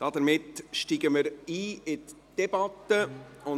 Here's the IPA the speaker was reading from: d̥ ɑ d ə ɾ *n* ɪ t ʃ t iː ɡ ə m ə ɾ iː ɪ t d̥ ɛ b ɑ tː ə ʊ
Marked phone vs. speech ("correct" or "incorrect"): incorrect